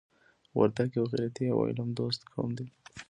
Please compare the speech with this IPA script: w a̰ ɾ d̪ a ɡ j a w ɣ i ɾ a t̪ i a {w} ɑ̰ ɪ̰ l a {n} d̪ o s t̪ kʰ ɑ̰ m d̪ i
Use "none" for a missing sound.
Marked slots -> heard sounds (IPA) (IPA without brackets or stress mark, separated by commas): w, m